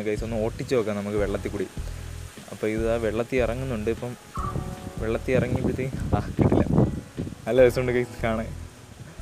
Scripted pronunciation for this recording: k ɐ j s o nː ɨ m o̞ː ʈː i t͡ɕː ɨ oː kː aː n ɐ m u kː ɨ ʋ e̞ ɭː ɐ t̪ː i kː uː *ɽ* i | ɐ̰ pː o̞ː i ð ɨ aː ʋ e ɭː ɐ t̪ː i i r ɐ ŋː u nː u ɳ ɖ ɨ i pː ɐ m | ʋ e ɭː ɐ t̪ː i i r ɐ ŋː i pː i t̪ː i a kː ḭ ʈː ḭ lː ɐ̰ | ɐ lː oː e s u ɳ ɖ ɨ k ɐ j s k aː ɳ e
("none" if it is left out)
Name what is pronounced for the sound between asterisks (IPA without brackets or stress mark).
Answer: ɽ